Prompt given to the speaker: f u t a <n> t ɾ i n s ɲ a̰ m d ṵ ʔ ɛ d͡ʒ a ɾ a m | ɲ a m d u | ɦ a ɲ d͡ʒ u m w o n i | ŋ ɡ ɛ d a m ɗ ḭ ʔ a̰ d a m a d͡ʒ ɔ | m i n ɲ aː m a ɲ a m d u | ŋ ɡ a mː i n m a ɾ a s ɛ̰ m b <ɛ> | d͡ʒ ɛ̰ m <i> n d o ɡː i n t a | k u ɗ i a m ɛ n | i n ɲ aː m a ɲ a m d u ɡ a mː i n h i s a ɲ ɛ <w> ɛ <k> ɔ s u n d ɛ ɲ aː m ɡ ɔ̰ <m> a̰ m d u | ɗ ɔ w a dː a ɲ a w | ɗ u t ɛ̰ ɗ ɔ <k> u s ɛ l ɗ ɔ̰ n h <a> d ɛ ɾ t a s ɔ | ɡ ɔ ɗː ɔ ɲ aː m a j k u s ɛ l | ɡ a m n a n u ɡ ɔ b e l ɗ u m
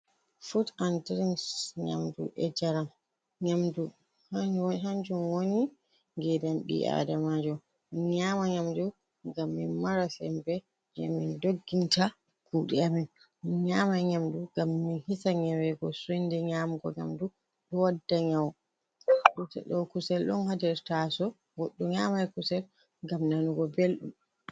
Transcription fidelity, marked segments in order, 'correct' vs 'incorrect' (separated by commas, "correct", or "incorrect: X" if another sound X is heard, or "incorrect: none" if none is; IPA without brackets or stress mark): correct, correct, correct, correct, incorrect: ɡ, incorrect: ɲ, correct, correct